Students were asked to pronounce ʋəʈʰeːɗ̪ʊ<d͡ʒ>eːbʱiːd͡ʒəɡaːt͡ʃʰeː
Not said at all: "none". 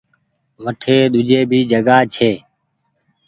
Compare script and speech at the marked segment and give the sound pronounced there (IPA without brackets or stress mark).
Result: d͡ʒ